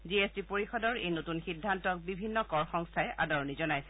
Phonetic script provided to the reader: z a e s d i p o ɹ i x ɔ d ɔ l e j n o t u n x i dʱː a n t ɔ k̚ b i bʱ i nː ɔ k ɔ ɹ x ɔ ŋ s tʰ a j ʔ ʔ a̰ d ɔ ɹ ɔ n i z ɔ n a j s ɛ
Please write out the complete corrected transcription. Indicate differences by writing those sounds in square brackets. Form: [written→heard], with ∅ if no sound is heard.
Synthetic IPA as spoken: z [a→i] e s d i p o ɹ i x ɔ d ɔ [l→ɹ] e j n o t u n x i dʱː a n t ɔ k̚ b i bʱ i nː ɔ k ɔ ɹ x ɔ ŋ s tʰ a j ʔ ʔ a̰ d ɔ ɹ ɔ n i z ɔ n a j s ɛ